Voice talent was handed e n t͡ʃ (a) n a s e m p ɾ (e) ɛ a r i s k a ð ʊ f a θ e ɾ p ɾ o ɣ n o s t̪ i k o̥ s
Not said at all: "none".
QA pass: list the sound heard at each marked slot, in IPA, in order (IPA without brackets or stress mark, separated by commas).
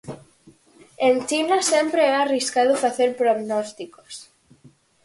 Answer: i, e